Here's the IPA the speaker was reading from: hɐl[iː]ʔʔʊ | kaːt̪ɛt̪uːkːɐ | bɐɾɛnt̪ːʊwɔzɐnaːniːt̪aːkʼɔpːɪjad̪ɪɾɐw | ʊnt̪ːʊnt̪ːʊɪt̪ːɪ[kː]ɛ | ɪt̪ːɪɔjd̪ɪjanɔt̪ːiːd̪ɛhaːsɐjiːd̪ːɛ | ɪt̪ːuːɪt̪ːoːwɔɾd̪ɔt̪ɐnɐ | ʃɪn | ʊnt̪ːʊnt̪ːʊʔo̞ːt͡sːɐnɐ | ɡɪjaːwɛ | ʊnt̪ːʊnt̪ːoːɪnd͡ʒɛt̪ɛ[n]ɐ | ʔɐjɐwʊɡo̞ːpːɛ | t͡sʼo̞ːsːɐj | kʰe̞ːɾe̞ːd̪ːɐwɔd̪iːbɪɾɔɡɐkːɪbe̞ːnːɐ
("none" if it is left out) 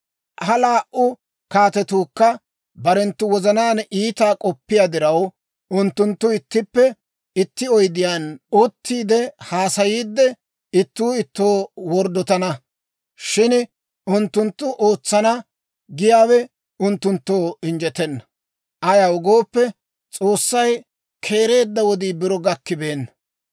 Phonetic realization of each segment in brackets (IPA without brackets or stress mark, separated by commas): aː, pː, nː